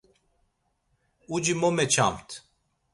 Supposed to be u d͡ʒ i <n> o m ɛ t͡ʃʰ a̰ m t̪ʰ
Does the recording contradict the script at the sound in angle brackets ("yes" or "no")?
yes